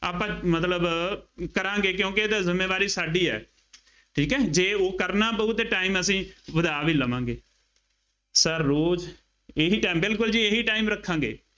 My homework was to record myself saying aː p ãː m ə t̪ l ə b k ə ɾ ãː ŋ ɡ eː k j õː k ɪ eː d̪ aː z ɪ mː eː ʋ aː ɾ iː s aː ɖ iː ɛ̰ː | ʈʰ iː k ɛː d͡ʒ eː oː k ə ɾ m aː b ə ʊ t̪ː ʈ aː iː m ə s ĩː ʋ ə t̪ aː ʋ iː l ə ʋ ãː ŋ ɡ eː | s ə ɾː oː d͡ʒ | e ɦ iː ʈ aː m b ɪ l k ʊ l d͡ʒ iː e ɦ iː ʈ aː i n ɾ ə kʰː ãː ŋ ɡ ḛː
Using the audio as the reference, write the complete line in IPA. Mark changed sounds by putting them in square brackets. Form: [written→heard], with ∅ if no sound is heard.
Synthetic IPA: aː p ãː m ə t̪ l ə b k ə ɾ ãː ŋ ɡ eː k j õː k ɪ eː d̪ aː z ɪ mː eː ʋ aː ɾ iː s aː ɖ iː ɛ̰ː | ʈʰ iː k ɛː d͡ʒ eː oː k ə ɾ [m→n] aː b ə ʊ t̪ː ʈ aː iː m ə s ĩː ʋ ə [t̪→d̪] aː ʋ iː l ə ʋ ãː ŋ ɡ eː | s ə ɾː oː d͡ʒ | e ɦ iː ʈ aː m b ɪ l k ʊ l d͡ʒ iː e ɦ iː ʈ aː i [n→m] ɾ ə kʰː ãː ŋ ɡ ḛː